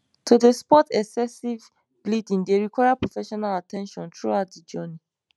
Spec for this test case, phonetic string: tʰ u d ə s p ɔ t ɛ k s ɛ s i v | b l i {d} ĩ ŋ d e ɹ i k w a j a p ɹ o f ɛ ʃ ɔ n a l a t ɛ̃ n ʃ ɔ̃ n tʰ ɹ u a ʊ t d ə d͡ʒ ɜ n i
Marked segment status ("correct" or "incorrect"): correct